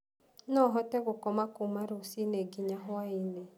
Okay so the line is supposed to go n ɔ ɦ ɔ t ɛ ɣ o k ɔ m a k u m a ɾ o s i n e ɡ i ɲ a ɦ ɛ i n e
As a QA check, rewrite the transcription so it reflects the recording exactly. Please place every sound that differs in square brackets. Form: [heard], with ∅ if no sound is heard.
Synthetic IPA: n ɔ ɦ ɔ t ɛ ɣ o k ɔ m a k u m a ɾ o s i n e ɡ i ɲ a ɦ [a] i n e